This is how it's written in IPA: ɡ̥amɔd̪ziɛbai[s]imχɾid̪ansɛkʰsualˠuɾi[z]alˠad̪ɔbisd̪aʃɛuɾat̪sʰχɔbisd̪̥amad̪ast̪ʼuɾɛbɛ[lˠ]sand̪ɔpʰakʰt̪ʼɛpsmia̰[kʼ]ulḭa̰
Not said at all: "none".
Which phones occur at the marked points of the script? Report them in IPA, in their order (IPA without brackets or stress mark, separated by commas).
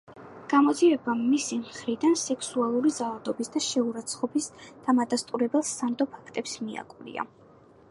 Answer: s, z, lˠ, kʼ